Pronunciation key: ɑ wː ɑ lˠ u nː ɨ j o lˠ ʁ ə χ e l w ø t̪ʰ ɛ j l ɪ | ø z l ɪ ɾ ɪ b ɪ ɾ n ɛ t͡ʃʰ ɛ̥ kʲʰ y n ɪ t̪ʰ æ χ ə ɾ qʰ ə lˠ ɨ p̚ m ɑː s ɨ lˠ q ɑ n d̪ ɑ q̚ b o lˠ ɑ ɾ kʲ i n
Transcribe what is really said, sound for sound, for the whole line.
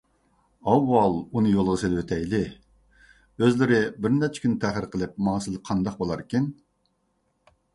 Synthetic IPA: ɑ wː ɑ lˠ u n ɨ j o lˠ ʁ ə s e l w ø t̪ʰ ɛ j l ɪ | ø z l ɪ ɾ ɪ b ɪ ɾ n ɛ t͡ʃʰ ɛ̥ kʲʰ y n ɪ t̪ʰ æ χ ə ɾ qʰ ə lˠ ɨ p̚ m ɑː s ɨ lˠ qʰ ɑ n d̪ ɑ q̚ b o lˠ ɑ ɾ kʲ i n